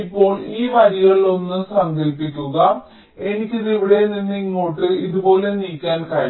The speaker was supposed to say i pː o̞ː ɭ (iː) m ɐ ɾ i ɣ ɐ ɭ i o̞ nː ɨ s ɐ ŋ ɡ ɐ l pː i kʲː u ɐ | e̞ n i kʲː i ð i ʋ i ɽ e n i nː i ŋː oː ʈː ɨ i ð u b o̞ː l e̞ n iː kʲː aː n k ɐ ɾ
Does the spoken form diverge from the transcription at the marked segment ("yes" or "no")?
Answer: no